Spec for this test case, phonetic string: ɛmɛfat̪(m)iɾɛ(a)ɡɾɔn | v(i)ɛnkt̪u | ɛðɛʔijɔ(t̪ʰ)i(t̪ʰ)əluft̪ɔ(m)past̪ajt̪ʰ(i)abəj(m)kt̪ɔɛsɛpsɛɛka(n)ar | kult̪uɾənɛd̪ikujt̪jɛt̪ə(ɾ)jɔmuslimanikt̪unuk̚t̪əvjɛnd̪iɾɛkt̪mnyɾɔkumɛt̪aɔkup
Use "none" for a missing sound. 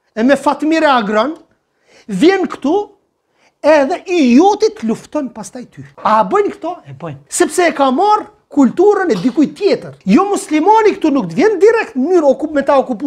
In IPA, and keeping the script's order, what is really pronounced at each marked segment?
m, a, j, t̪, t̪, n, y, n, m, ɾ

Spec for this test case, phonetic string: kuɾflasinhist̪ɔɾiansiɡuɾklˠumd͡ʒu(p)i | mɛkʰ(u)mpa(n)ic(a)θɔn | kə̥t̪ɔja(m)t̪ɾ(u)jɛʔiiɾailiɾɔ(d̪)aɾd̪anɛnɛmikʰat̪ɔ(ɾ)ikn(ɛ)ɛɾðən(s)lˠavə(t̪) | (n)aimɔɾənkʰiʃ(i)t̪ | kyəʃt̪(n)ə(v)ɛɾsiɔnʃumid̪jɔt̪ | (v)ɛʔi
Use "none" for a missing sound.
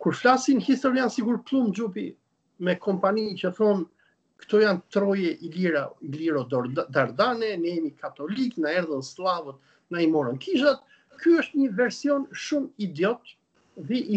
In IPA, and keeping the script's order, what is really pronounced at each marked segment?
p, ɔ, n, ə, n, ɔ, d̪, l, a, s, t̪, n, a, ɲ, v, ð

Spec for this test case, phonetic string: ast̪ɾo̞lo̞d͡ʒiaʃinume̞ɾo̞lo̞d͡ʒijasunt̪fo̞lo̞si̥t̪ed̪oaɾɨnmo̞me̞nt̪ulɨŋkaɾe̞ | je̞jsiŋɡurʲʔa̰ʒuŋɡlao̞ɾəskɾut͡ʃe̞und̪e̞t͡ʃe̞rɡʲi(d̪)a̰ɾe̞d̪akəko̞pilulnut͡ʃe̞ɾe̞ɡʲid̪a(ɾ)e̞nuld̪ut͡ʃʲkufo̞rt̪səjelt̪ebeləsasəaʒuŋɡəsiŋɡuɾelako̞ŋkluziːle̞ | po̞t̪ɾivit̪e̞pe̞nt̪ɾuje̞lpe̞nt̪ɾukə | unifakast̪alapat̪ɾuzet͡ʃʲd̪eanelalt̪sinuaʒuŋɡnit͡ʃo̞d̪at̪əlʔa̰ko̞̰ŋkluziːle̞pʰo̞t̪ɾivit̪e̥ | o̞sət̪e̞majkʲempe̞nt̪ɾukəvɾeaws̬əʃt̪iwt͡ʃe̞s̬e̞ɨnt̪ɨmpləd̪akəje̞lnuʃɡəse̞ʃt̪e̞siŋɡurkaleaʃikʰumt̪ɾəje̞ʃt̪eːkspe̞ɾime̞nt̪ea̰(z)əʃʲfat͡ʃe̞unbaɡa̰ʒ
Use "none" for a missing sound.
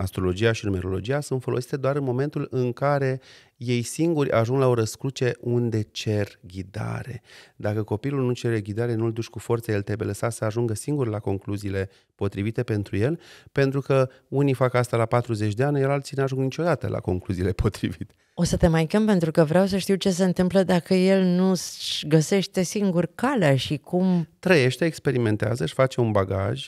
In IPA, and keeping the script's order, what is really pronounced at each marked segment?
d̪, ɾ, z

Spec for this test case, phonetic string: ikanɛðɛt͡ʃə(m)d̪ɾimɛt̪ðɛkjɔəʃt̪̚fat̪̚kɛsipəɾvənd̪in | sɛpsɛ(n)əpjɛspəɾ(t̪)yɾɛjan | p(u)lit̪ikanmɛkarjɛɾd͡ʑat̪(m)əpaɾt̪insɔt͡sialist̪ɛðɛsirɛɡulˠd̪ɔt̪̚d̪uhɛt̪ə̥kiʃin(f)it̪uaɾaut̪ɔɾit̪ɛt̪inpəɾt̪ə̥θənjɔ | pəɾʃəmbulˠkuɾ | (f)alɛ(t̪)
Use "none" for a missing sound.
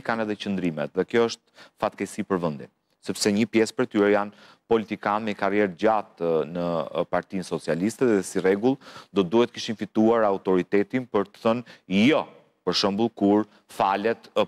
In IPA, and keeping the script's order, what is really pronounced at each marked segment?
n, ɲ, t̪, ɔ, n, f, f, t̪

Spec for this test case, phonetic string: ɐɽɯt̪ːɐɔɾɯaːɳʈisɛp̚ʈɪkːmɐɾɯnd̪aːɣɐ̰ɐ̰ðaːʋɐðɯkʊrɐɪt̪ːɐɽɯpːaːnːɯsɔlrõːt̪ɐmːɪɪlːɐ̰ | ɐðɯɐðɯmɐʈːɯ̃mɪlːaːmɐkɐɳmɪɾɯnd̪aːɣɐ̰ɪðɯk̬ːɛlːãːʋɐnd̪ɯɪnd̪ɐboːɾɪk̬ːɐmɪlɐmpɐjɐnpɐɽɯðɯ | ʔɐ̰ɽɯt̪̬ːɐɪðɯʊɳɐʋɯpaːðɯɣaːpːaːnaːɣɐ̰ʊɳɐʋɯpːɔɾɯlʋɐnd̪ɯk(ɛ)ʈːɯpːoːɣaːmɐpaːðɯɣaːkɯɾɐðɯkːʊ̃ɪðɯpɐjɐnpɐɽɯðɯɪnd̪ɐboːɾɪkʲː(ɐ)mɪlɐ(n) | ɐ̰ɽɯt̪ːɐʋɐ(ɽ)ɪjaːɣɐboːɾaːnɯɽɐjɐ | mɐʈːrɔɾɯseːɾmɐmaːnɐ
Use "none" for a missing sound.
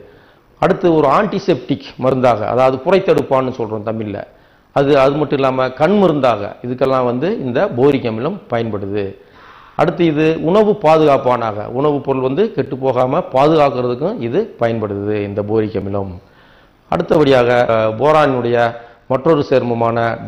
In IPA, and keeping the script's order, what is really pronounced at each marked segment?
ɛ, ɐ, m, ɽ

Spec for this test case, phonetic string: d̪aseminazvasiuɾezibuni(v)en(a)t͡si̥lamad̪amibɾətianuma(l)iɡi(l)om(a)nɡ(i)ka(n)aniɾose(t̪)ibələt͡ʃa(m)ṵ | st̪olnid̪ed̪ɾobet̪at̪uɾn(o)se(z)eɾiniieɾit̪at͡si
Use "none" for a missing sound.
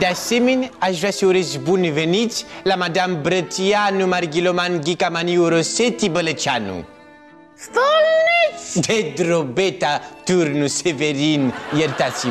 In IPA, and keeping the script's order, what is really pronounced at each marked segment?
v, i, ɾ, l, a, i, m, t̪, n, u, v

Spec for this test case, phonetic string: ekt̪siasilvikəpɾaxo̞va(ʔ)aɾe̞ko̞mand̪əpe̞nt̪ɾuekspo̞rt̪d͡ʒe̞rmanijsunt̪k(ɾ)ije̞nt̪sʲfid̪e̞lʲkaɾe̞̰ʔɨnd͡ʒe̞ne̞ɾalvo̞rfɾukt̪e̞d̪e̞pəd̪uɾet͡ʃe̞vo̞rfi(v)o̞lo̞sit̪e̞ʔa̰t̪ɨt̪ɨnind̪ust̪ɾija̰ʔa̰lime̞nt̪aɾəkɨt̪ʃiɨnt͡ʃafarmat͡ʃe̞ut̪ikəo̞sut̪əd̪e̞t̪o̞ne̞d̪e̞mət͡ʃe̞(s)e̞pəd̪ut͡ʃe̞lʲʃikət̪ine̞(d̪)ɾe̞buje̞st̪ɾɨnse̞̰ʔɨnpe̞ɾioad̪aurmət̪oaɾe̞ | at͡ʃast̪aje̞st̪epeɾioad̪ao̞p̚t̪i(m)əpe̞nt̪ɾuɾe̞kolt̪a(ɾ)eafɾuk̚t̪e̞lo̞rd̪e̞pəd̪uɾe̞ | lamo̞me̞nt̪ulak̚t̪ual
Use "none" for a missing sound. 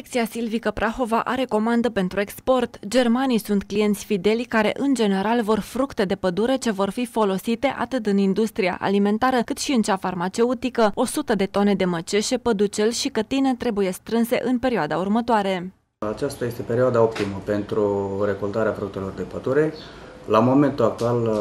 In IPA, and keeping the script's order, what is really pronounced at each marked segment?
ʔ, l, f, ʃ, t̪, m, ɾ

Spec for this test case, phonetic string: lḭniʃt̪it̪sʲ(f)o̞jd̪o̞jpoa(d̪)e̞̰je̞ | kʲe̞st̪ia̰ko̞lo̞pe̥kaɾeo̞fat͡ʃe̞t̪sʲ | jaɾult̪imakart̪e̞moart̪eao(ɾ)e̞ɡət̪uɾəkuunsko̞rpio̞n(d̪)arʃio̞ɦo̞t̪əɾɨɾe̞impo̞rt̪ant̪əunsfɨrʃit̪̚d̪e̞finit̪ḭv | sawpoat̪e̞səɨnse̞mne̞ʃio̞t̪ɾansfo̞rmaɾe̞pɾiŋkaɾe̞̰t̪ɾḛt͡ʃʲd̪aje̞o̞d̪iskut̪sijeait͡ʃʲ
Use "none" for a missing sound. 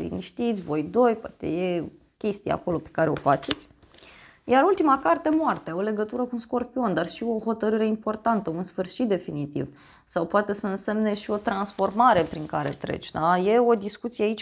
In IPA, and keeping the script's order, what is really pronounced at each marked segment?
v, t̪, l, d̪

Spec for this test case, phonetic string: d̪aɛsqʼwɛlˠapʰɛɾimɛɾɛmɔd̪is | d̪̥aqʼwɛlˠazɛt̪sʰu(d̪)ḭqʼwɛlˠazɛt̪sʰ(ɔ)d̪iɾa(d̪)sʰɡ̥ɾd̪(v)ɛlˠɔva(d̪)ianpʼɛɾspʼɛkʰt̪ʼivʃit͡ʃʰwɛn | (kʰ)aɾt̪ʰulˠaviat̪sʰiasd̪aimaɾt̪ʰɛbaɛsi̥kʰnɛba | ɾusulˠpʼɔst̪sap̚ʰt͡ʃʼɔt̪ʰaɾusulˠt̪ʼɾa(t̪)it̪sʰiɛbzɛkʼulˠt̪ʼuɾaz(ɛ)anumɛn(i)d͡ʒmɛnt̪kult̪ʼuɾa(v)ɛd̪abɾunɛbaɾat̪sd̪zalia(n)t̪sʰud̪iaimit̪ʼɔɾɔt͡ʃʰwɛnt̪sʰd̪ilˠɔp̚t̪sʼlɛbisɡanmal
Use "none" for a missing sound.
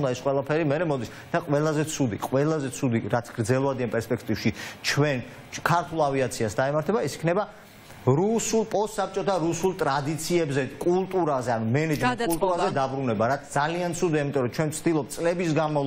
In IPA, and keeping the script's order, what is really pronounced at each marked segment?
d̪, u, t̪, z, d̪, kʰ, d̪, ɛ, ɛ, z, n

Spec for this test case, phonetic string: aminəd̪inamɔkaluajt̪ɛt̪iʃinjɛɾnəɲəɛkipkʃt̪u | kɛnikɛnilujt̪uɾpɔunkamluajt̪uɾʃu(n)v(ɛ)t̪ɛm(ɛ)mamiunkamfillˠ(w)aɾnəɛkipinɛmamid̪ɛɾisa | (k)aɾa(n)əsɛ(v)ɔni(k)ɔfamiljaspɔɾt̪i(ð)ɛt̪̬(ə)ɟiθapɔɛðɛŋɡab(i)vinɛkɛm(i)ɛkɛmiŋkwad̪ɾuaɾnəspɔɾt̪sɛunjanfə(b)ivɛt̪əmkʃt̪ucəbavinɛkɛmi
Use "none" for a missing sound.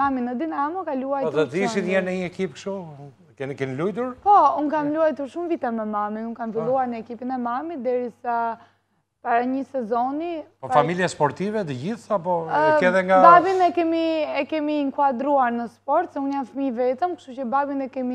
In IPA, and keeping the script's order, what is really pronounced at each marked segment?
m, i, ɛ, u, p, ɲ, z, p, v, ə, a, i, m

